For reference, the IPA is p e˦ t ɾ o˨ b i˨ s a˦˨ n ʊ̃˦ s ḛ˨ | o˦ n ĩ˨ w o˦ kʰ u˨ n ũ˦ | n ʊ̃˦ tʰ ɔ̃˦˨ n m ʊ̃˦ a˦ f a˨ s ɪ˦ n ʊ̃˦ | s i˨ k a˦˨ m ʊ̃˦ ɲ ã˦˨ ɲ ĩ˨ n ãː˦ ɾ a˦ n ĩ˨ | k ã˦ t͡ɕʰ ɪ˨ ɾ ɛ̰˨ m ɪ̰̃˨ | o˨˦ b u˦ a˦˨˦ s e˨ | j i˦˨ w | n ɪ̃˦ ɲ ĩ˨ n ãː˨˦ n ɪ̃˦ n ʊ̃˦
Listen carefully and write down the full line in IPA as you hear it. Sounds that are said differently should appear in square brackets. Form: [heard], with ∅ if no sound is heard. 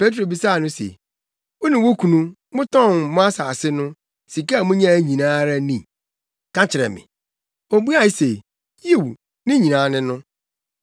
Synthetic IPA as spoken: p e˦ t ɾ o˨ b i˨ s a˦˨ n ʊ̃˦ s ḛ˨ | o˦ n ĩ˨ w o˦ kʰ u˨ n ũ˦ | [m] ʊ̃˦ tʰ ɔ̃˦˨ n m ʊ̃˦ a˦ [s] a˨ s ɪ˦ n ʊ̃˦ | s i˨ k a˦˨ m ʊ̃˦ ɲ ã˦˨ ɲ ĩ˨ n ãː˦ ɾ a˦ n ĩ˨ | k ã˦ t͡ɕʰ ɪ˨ ɾ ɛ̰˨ m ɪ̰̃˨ | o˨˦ b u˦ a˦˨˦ s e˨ | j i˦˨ w | n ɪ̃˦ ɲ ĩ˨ n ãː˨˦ n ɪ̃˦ n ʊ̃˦